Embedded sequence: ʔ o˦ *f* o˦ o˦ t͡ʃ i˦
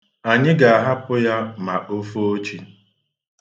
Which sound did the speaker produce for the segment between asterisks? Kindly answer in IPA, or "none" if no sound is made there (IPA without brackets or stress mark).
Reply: f